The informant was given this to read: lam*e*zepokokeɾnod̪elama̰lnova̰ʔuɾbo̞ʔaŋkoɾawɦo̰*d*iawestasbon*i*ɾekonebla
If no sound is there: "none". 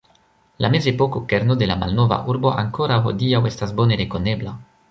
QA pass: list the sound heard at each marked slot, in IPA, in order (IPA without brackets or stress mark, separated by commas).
e, d, e